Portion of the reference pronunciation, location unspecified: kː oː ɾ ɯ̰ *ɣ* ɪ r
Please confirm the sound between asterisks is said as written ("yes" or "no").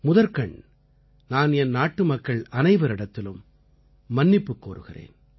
yes